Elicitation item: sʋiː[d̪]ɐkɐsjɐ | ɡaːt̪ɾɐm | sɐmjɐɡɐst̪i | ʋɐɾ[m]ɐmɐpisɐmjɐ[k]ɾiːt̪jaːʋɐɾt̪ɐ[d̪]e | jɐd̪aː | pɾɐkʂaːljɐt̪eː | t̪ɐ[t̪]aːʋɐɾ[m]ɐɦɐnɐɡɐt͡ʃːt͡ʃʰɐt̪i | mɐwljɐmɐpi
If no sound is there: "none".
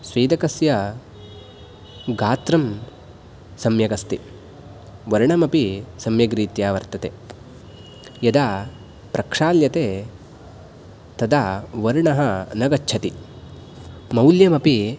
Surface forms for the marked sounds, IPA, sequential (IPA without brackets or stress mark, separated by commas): d̪, ɳ, ɡ, t̪, d̪, ɳ